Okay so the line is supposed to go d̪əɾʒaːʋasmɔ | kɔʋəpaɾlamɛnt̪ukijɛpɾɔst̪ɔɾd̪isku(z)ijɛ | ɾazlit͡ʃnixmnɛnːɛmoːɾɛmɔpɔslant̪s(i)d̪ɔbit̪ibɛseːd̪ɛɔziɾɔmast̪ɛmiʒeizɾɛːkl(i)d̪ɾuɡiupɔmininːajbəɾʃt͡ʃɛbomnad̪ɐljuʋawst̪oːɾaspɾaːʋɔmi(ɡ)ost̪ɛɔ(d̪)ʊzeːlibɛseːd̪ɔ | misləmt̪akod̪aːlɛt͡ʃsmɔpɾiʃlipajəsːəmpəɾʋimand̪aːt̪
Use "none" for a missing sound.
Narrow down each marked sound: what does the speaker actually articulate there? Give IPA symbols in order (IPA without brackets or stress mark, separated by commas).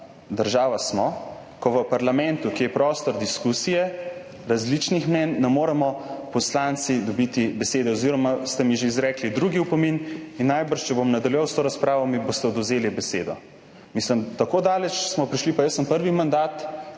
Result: s, i, i, b, d̪